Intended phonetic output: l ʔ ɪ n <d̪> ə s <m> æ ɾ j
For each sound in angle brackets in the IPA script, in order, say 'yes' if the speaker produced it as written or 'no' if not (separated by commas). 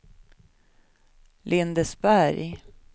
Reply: yes, no